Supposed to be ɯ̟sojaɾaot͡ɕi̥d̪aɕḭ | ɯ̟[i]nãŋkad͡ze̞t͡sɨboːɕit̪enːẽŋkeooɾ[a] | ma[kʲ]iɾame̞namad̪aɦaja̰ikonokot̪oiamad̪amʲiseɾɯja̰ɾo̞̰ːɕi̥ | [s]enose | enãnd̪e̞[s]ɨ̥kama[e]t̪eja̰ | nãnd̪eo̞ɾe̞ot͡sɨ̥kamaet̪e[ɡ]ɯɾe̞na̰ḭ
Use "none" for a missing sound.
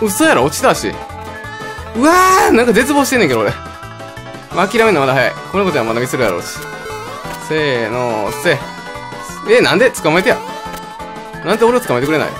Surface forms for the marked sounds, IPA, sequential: a, e, kʲ, s, t͡s, e, k

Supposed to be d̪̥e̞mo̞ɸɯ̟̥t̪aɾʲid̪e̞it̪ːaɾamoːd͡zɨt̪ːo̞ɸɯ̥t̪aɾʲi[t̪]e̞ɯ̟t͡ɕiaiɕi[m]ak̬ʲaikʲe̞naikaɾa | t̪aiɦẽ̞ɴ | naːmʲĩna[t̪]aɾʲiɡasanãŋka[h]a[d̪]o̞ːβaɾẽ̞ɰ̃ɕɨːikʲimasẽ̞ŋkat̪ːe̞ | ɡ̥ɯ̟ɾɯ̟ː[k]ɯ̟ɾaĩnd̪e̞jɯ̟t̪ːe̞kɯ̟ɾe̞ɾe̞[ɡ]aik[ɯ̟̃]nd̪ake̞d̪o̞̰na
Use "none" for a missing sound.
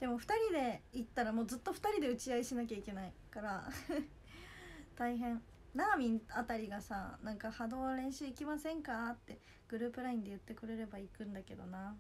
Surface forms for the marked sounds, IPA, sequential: d̪, n, t̪, h, d̪, p, b, ɯ̟̃

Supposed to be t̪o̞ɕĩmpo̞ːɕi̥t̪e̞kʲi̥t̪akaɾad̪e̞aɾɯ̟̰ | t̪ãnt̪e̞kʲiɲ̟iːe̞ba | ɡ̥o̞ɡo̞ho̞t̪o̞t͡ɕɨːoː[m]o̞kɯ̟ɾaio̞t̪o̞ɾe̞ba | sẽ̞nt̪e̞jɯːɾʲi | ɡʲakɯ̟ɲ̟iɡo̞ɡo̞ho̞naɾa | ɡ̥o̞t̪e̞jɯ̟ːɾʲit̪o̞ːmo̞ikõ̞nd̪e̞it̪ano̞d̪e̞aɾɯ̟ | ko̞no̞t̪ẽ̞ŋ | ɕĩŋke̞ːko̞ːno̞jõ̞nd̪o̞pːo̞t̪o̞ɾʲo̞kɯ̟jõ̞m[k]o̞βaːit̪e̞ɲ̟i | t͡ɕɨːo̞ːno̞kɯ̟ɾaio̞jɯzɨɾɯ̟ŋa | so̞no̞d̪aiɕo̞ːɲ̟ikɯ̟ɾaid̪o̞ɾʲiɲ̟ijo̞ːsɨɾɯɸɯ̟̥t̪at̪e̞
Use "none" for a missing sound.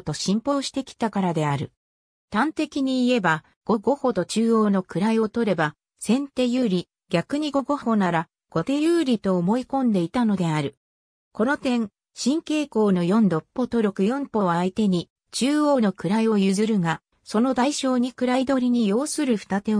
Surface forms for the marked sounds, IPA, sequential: n, p

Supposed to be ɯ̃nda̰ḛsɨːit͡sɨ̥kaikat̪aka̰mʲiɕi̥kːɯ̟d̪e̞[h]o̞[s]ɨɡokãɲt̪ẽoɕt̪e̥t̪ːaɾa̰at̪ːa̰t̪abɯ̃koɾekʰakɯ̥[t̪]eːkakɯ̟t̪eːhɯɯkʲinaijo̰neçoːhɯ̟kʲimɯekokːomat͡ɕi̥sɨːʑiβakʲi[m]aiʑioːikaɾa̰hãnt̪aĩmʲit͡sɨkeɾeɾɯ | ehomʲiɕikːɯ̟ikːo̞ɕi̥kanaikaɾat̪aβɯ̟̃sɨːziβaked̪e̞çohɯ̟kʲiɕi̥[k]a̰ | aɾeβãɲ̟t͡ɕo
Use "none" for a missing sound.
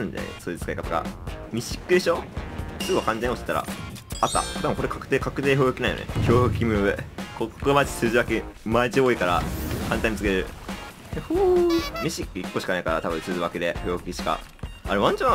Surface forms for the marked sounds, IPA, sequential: ɕ, s, t̪, m, k

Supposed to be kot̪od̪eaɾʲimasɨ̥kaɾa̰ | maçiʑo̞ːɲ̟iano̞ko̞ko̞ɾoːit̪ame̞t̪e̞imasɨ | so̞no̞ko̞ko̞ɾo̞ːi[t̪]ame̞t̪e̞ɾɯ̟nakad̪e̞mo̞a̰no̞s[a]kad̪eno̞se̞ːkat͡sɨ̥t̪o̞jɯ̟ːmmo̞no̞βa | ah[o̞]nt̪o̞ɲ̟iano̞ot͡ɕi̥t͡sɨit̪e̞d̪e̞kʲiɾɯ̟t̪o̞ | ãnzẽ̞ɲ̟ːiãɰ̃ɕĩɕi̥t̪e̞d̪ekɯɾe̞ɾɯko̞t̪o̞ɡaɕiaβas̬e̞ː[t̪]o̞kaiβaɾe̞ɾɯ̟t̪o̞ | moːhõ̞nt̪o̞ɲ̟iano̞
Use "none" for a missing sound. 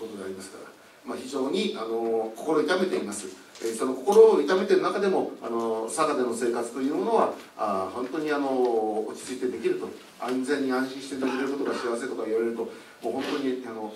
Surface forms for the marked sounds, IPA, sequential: t̪, a, õ̞, t̪

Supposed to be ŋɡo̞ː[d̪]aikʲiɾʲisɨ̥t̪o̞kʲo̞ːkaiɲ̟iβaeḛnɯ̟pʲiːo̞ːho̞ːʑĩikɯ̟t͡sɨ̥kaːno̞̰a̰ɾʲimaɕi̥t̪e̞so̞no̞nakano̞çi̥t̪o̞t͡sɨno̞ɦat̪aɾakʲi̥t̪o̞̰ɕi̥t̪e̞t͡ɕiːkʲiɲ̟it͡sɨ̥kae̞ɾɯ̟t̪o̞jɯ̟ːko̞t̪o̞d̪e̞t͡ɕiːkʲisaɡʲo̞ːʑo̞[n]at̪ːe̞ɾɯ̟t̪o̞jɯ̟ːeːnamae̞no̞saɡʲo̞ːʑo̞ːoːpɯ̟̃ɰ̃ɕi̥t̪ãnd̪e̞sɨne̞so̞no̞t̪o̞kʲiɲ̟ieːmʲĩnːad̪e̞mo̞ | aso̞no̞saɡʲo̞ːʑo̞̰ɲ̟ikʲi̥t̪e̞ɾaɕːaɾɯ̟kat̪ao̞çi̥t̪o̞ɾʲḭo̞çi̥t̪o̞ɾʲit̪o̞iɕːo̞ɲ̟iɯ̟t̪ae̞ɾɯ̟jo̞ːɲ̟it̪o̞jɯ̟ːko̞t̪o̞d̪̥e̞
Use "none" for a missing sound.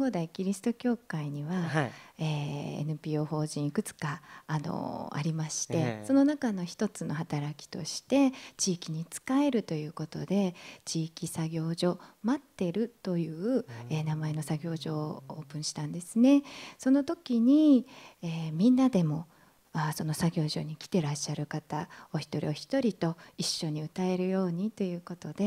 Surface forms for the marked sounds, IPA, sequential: d̪, m

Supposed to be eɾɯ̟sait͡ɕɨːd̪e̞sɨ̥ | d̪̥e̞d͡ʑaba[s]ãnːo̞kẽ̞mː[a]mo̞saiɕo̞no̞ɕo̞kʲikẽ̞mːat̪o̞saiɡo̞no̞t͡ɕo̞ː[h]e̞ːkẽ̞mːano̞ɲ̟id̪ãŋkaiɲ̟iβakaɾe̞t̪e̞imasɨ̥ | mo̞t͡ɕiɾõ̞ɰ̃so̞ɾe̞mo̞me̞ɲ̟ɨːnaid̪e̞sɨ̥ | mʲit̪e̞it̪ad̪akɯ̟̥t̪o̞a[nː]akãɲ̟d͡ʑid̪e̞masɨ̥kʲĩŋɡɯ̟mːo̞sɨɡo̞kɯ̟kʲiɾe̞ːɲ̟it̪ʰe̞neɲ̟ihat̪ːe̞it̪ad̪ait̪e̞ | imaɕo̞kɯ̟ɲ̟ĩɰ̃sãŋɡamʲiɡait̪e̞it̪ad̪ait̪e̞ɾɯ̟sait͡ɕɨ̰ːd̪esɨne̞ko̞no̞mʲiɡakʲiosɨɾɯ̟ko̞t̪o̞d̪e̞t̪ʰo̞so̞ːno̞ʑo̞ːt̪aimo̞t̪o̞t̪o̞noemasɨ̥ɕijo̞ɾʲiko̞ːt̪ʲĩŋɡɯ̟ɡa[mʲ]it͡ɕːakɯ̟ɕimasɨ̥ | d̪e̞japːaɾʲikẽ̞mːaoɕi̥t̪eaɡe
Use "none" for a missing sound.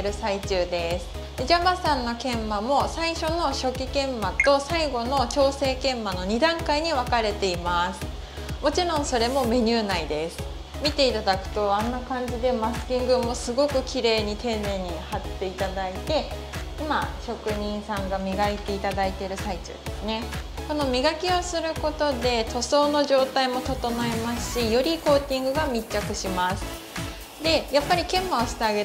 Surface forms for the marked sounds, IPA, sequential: s, a, s, nː, mʲ

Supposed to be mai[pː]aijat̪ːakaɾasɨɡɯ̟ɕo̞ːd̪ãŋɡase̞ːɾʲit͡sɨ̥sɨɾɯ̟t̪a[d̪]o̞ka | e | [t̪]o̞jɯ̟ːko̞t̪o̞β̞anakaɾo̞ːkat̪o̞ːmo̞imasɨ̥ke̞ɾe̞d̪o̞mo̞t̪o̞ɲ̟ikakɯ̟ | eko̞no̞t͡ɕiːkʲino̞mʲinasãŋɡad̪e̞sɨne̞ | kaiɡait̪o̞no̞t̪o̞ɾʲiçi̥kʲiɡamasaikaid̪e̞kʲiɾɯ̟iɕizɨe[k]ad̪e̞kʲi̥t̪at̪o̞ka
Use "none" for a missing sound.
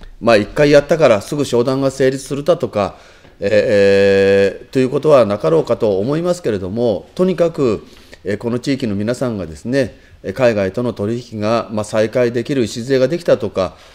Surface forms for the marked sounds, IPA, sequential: kː, t̪, t̪, ɡ

